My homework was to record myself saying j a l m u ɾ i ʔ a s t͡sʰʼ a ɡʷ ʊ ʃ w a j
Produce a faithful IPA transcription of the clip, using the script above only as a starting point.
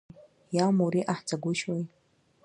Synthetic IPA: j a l m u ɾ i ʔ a ħ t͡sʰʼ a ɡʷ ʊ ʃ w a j